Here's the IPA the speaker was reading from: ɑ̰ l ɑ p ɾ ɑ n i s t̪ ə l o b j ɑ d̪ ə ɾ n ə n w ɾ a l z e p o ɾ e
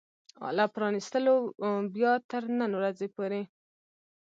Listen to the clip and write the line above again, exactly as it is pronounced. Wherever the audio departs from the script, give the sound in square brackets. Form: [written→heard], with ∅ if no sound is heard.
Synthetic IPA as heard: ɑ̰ l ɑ p ɾ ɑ n i s t̪ ə l o b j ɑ [d̪→t̪] ə ɾ n ə n w ɾ a [l→∅] z e p o ɾ e